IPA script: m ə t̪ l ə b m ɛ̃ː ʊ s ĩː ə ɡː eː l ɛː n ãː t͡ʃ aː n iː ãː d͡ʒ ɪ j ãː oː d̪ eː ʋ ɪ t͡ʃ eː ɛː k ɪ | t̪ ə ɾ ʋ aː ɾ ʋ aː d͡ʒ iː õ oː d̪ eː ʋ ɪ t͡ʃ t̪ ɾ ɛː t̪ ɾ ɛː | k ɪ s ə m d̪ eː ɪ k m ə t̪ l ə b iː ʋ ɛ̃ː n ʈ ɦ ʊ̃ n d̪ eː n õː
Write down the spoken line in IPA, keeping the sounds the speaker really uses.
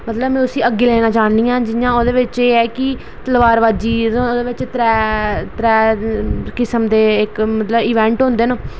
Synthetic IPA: m ə t̪ l ə b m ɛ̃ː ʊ s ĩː ə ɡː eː l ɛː n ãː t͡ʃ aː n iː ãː d͡ʒ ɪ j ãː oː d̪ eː ʋ ɪ t͡ʃ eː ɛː k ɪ | t̪ ə l ʋ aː ɾ ʋ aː d͡ʒ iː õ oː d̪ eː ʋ ɪ t͡ʃ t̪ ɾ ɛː t̪ ɾ ɛː | k ɪ s ə m d̪ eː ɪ k m ə t̪ l ə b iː ʋ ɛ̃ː ɳ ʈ ɦ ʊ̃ n d̪ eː n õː